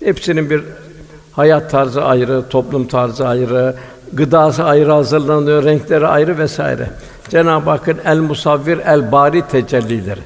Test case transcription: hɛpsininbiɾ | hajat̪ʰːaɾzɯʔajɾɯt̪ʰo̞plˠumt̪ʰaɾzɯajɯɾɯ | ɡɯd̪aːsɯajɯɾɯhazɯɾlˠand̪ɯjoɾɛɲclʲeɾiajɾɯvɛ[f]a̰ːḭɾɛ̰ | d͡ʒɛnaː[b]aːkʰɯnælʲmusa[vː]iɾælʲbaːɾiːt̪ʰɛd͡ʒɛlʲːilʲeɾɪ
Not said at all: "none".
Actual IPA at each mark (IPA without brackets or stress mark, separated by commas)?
s, b, vː